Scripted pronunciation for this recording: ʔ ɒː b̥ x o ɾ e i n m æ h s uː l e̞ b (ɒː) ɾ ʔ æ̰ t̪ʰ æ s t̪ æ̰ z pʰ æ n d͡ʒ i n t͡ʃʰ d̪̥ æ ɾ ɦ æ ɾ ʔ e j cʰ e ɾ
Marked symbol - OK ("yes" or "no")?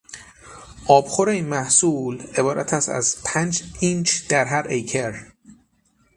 yes